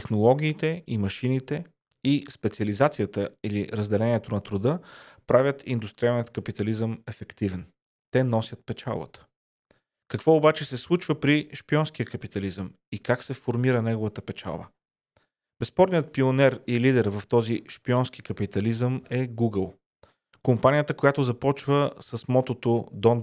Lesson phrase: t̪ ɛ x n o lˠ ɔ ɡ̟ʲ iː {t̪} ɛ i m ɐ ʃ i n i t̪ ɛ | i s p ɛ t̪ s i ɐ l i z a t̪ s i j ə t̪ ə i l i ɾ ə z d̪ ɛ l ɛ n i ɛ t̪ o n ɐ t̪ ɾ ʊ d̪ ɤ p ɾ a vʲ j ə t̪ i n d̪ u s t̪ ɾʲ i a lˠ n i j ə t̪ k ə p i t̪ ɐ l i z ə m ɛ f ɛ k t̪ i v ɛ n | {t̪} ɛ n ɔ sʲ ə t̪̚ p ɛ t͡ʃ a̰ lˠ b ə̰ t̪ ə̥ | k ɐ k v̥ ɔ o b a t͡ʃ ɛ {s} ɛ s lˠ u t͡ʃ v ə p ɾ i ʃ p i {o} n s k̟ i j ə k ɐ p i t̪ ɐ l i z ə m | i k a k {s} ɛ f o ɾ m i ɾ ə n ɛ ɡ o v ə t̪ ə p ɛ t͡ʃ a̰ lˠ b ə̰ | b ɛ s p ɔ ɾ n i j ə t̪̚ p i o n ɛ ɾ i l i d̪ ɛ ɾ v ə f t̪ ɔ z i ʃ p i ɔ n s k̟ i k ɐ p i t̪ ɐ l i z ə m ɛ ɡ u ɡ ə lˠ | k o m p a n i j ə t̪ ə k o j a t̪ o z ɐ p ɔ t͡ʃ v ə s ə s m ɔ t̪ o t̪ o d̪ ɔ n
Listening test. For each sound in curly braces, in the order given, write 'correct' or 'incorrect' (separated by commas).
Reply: correct, correct, correct, incorrect, correct